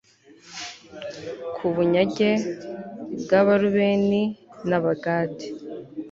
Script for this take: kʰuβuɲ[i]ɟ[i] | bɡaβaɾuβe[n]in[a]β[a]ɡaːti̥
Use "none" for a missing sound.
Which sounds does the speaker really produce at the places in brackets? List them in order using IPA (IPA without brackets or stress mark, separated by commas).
a, e, n, a, a